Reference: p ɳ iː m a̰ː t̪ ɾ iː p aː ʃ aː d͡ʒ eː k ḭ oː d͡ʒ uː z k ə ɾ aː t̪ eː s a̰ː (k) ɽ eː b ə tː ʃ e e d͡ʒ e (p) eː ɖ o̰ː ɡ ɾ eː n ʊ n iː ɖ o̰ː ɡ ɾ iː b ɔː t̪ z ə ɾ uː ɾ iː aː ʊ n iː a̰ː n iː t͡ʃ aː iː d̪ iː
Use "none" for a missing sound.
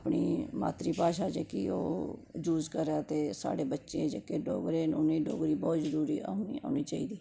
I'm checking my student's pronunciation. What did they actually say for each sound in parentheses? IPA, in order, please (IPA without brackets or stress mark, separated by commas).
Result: none, k